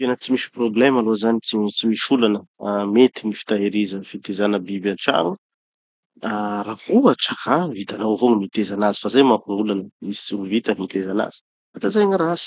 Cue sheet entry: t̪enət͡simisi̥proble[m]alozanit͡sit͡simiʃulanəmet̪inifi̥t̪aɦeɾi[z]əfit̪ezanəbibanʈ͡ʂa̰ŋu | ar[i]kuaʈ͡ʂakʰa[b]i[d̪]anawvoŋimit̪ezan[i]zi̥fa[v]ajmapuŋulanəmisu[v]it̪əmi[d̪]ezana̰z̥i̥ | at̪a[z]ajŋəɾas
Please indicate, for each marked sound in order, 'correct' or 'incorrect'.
correct, correct, incorrect, incorrect, incorrect, incorrect, incorrect, correct, incorrect, correct

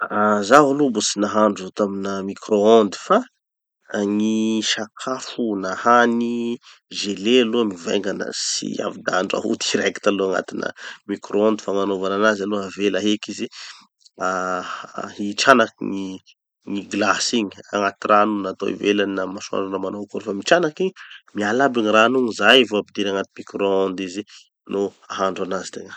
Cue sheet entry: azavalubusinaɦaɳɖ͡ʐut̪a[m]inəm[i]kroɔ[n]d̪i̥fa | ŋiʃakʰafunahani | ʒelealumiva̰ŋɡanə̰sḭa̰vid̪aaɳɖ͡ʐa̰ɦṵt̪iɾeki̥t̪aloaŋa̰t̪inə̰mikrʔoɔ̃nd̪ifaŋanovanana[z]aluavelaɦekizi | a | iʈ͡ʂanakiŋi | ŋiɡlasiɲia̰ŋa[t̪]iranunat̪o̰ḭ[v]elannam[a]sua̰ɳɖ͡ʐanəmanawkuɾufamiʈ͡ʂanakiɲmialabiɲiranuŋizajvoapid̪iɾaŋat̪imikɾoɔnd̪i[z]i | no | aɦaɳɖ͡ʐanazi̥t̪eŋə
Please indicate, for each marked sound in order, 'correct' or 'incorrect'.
correct, correct, correct, correct, correct, correct, correct, correct

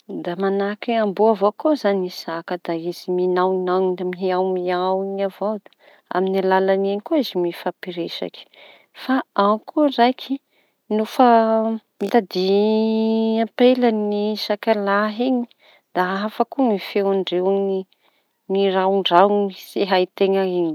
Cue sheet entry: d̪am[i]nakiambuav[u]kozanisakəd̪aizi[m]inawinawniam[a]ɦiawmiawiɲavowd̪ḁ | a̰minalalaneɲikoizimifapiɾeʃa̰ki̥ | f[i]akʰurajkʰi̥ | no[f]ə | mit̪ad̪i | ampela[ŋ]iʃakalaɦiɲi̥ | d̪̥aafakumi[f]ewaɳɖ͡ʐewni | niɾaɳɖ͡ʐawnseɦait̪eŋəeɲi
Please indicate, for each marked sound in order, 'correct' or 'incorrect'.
incorrect, incorrect, correct, incorrect, incorrect, correct, incorrect, correct

